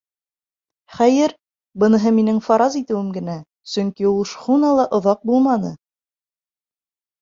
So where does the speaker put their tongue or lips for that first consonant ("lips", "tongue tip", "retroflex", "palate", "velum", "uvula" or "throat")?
uvula